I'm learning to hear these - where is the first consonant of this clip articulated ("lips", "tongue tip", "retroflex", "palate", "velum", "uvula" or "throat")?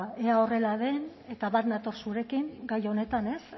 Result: tongue tip